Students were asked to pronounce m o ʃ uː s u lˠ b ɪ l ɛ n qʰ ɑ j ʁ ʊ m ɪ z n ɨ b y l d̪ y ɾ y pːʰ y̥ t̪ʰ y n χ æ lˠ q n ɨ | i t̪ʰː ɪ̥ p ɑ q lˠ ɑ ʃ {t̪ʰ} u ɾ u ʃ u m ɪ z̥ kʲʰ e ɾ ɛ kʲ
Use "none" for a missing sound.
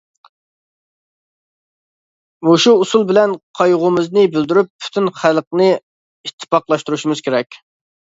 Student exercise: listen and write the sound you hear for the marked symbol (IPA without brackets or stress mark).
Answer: t̪